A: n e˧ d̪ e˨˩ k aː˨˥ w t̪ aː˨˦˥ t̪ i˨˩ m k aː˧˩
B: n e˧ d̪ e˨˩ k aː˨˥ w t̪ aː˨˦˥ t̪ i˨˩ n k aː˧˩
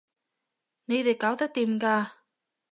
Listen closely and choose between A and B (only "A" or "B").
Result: A